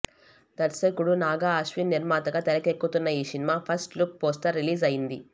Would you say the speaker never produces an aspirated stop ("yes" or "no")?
no